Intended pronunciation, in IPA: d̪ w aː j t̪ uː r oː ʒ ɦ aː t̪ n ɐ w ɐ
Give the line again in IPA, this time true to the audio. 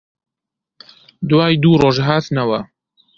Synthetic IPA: d̪ w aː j d̪ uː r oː ʒ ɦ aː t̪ n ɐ w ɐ

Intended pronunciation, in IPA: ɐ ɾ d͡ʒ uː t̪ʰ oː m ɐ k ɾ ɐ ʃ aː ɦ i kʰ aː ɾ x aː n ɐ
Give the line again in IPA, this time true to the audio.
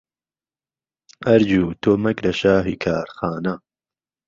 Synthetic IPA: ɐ ɾ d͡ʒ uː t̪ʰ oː m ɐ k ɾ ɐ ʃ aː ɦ i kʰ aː ɾ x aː n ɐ

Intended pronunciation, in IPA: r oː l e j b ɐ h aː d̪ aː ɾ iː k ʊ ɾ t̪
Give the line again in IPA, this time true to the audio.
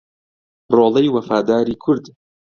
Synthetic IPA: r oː l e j w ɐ f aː d̪ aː ɾ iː kʰ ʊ ɾ d̪

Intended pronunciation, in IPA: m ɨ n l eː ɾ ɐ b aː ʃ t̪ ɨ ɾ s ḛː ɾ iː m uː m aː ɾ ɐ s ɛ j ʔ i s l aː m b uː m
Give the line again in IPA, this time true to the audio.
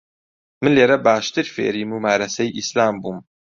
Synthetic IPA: m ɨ n l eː ɾ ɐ b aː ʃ t̪ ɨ ɾ f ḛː ɾ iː m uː m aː ɾ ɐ s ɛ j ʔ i s l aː m b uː m

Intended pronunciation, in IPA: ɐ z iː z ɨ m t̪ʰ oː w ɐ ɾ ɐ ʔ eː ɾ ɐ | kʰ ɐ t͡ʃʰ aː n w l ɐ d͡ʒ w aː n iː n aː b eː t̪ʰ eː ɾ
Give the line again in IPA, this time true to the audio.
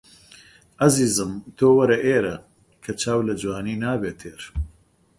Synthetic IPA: ɐ z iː z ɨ m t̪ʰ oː w ɐ ɾ ɐ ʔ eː ɾ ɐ | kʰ ɐ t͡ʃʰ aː w l ɐ d͡ʒ w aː n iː n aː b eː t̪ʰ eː ɾ

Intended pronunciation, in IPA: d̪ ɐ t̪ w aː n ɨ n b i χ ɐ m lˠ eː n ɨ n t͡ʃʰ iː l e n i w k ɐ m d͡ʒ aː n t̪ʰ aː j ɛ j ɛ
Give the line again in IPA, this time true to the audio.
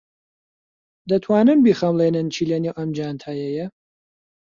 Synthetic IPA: d̪ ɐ t̪ʰ w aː n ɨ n b i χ ɐ m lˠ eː n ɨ n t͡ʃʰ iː l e n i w ʔ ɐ m d͡ʒ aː n t̪ʰ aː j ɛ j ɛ

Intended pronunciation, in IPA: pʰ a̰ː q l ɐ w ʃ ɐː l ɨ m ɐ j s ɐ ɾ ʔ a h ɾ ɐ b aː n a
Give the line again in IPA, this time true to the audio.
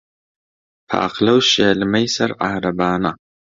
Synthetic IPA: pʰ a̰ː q l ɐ w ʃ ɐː l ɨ m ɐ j s ɐ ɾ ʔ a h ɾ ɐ b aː n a

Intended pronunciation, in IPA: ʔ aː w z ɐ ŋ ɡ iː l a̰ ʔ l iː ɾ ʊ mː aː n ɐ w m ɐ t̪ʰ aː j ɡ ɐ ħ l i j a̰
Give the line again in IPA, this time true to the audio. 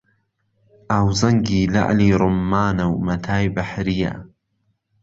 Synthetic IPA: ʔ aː w z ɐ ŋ ɡ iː l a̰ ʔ l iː ɾ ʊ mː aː n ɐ w m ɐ t̪ʰ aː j b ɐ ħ ɾ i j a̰

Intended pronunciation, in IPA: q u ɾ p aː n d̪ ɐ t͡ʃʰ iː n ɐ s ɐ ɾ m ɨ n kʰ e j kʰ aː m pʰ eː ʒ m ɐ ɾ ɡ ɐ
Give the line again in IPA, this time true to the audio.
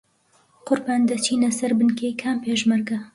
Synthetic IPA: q ʊ ɾ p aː n d̪ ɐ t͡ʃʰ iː n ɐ s ɐ ɾ b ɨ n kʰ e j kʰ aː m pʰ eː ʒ m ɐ ɾ ɡ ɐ

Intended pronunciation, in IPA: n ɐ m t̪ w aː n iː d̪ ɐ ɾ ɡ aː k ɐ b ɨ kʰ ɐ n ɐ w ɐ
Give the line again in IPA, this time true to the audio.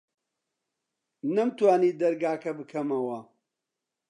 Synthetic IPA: n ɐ m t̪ w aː n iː d̪ ɐ ɾ ɡ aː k ɐ b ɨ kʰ ɐ m ɐ w ɐ

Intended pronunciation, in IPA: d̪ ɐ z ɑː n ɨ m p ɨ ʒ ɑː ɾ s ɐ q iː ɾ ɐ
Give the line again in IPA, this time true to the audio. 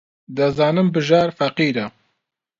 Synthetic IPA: d̪ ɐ z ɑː n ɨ m b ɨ ʒ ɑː ɾ f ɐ q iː ɾ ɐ

